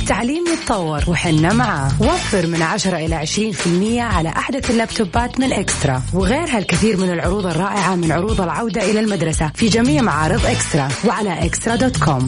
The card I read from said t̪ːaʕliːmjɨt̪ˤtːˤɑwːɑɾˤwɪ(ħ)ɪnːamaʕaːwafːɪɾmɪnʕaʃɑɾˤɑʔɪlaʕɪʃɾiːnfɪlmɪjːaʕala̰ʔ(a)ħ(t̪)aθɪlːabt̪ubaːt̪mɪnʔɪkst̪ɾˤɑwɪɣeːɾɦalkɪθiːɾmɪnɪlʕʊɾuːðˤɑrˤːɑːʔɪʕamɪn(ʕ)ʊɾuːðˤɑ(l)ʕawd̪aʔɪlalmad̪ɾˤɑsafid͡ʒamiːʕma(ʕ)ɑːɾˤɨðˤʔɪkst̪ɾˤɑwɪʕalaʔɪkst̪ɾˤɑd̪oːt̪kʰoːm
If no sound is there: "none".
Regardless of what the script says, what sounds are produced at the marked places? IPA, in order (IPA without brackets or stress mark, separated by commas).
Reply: ħ, a, d̪, ʕ, l, ʕ